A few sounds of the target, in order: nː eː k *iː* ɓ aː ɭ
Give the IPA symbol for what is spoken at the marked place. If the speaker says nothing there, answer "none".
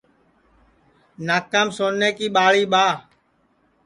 iː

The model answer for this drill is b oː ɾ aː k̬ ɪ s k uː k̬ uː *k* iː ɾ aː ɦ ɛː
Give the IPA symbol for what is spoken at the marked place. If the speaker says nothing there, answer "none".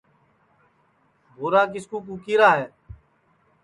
k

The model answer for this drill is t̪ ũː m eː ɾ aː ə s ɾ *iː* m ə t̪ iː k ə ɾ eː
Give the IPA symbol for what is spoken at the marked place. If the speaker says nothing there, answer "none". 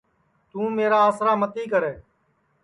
aː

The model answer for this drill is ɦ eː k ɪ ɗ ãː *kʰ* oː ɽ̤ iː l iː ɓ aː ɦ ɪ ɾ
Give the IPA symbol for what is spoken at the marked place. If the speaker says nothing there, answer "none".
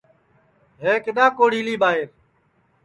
k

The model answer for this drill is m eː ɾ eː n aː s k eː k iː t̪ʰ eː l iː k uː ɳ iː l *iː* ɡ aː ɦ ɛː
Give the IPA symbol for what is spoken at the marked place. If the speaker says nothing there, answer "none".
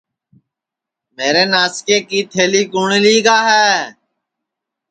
iː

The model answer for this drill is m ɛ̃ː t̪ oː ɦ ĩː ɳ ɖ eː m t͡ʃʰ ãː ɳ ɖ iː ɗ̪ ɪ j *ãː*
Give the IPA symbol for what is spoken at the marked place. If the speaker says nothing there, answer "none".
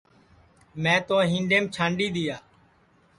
aː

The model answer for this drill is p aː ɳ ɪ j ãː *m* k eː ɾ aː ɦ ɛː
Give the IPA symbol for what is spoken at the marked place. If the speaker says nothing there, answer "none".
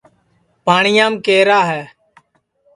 m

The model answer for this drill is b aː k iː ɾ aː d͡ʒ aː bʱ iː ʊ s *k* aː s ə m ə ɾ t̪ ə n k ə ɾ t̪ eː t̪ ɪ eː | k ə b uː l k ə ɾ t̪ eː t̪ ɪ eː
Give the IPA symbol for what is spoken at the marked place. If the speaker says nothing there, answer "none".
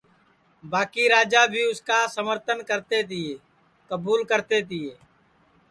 k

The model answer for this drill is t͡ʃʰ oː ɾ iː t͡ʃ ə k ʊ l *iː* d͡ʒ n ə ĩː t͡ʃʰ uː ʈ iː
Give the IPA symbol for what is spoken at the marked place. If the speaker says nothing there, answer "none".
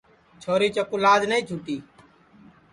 aː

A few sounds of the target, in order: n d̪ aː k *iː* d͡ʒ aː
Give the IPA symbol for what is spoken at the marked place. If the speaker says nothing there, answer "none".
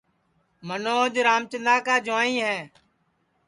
aː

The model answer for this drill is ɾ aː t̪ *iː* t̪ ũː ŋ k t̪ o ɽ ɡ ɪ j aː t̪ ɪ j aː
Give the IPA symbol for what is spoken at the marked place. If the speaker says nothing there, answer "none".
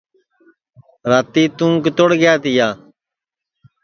iː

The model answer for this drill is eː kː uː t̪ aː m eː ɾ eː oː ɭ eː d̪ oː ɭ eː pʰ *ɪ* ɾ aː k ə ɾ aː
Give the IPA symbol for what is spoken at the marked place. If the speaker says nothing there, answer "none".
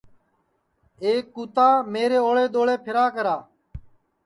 ɪ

